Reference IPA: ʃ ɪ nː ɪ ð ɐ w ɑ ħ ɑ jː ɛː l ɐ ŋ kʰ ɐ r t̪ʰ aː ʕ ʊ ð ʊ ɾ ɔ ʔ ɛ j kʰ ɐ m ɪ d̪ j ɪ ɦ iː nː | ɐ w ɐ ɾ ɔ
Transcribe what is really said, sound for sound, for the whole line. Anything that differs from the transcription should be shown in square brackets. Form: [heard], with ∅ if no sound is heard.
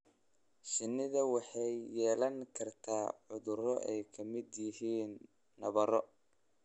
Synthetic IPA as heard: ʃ ɪ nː ɪ ð ɐ w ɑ ħ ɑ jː ɛː l ɐ ŋ kʰ ɐ r t̪ʰ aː ʕ ʊ ð ʊ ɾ ɔ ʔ ɛ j kʰ ɐ m ɪ d̪ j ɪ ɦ iː nː | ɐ [β] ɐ ɾ ɔ